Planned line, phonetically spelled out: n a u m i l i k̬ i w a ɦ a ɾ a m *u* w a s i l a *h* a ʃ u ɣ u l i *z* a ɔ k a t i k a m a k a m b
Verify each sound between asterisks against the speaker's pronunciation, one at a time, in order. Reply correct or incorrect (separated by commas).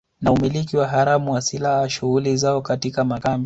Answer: correct, correct, correct